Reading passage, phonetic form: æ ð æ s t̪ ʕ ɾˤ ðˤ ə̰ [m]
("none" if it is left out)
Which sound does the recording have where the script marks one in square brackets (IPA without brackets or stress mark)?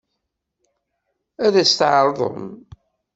m